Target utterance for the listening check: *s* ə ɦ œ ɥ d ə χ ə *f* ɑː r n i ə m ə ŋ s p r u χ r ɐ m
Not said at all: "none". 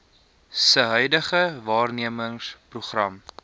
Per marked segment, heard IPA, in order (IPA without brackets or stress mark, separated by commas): s, v